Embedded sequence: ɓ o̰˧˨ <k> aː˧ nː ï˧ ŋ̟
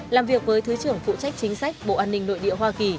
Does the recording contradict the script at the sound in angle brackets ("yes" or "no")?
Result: yes